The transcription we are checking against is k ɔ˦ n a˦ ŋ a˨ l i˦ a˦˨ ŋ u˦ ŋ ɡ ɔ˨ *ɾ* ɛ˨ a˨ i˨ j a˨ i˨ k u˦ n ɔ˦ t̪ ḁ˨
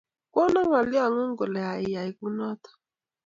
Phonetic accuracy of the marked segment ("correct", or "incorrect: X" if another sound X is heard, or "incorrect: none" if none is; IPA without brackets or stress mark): incorrect: l